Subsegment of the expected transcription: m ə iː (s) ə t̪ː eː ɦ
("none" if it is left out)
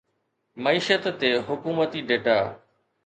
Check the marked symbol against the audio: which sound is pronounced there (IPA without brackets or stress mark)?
ʃ